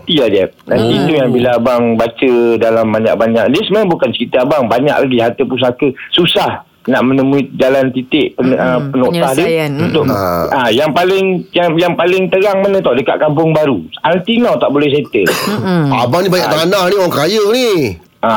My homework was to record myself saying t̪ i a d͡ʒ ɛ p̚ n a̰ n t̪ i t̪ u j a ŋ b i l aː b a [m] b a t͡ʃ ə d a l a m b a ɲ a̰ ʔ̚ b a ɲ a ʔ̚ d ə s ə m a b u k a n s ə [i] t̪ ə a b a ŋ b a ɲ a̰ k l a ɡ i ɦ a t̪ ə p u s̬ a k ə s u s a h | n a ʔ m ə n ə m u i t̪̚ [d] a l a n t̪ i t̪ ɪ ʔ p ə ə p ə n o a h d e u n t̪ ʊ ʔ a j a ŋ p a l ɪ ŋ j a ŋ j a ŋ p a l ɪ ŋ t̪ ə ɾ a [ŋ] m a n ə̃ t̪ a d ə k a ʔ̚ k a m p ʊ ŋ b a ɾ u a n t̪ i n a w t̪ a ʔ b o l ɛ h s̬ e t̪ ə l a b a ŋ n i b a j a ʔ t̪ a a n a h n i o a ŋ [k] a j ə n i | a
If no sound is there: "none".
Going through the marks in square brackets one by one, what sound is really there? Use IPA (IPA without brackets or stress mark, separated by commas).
ŋ, i, d͡ʒ, ŋ, k